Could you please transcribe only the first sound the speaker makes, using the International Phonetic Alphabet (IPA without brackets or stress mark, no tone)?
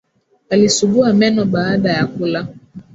a